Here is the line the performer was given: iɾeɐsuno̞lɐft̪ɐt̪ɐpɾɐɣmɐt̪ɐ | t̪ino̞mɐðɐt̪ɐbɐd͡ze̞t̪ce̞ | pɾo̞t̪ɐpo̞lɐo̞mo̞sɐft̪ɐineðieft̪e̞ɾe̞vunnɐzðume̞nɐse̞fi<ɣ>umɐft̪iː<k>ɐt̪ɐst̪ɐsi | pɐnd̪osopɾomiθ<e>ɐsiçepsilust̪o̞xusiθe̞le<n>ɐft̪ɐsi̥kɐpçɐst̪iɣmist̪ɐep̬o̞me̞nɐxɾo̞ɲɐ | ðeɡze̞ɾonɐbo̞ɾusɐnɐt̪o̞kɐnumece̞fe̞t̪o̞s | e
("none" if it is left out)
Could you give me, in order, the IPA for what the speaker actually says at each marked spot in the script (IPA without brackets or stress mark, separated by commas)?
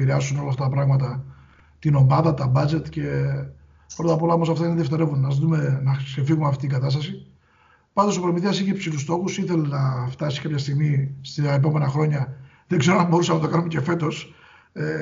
ɣ, ɡ, i, n